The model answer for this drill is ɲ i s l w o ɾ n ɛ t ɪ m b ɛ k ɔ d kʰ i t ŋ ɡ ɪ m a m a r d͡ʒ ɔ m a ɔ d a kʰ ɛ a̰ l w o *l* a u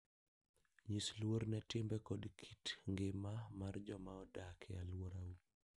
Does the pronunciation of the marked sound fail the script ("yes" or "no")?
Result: yes